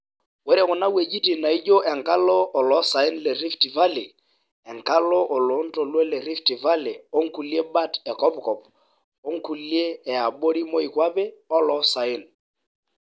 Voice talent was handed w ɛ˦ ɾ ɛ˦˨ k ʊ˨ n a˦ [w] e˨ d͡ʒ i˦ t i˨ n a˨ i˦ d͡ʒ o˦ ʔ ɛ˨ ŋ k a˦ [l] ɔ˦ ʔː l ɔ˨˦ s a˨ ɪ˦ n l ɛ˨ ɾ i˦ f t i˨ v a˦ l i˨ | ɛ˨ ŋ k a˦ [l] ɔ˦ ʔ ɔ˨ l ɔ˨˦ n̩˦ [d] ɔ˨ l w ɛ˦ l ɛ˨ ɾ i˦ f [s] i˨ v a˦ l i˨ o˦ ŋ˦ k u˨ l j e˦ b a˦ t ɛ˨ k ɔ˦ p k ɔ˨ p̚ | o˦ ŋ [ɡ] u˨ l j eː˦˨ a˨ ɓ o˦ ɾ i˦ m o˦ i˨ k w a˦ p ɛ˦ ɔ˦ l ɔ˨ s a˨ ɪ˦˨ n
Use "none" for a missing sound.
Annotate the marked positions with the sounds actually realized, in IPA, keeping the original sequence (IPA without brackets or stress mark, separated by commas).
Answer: w, l, l, t, t, k